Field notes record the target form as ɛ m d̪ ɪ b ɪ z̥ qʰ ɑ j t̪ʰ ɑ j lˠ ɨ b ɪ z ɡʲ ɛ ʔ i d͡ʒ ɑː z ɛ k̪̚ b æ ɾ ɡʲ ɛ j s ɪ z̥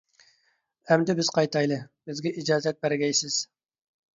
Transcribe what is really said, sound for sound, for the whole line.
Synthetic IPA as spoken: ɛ m d̪ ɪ b ɪ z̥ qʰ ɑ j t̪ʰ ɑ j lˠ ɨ b ɪ z ɡʲ ɛ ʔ i d͡ʒ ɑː z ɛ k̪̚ b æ ɾ ɡʲ ɛ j s ɪ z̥